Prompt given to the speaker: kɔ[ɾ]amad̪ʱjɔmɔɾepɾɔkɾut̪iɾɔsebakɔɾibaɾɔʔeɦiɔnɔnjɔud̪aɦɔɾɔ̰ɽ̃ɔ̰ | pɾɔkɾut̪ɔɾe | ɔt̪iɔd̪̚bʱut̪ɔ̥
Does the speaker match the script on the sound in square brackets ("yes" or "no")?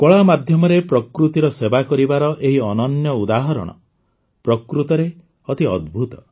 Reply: no